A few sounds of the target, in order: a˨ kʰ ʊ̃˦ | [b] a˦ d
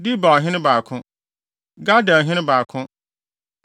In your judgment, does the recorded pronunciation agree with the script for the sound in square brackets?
no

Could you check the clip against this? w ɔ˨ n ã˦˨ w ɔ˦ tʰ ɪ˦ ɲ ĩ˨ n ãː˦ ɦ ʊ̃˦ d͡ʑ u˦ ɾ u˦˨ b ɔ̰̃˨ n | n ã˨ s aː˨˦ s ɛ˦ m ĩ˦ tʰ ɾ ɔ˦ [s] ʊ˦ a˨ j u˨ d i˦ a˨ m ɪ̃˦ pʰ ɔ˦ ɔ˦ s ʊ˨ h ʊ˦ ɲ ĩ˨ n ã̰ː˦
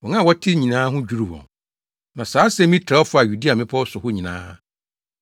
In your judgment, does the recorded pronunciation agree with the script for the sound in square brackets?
no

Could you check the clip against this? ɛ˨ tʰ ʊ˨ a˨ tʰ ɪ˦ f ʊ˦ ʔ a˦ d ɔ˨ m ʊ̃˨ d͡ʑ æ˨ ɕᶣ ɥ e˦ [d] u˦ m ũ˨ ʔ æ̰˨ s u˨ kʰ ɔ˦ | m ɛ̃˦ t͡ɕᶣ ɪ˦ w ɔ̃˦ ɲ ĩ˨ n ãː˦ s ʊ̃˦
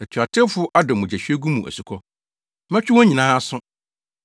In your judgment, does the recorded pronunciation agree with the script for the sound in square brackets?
no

